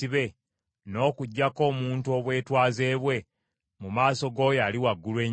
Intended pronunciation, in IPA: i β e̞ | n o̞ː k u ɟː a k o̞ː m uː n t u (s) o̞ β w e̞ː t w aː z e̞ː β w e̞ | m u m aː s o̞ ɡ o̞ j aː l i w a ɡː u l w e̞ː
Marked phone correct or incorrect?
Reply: incorrect